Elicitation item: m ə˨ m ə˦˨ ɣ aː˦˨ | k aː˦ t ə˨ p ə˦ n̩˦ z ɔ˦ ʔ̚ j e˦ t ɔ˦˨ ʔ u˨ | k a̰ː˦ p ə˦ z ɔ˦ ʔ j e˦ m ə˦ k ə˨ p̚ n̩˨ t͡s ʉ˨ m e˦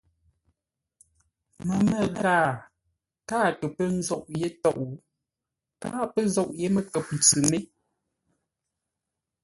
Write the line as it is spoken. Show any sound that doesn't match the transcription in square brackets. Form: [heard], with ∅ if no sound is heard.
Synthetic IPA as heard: m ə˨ m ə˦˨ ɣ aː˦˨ | k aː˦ t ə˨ p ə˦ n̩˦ z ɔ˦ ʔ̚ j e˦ t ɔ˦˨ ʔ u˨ | k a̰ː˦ p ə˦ z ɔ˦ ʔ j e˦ m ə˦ k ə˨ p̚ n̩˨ t͡s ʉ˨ m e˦